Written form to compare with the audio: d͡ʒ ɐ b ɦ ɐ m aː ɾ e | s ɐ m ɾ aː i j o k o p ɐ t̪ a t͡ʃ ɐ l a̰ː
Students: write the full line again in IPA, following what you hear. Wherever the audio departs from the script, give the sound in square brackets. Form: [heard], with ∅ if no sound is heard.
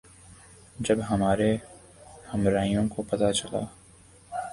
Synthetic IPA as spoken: d͡ʒ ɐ b ɦ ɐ m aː ɾ e | [h] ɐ m ɾ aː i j [õ] k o p ɐ t̪ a t͡ʃ ɐ l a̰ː